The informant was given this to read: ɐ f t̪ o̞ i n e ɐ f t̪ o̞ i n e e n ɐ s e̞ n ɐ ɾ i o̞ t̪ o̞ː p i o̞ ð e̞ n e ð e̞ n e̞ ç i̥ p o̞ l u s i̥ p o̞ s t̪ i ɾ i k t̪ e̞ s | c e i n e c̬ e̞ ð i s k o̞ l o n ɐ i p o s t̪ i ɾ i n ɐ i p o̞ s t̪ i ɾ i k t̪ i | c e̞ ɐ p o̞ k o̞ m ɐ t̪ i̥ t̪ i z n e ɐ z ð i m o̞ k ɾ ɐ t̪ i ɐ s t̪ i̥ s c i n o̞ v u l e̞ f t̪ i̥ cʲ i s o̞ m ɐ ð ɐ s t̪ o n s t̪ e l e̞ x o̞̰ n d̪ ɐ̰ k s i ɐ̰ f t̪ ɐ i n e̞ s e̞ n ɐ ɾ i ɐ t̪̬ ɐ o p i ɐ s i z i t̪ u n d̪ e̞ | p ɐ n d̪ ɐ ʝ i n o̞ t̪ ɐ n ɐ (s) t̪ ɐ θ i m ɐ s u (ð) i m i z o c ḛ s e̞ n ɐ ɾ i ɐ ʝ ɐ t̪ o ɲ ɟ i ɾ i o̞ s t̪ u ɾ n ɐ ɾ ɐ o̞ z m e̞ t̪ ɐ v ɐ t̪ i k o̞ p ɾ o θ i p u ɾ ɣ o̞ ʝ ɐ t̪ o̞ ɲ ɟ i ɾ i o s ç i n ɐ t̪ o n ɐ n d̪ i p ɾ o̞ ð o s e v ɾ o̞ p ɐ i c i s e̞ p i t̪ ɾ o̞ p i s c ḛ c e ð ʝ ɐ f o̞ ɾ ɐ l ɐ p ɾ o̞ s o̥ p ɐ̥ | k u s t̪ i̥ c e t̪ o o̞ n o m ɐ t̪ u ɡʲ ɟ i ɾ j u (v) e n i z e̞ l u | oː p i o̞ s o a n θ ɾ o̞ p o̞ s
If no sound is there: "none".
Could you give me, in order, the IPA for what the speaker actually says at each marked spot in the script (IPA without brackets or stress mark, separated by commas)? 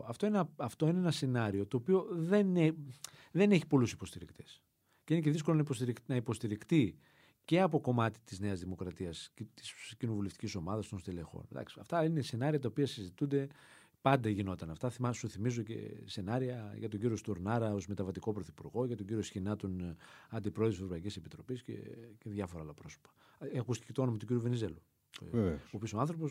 f, θ, v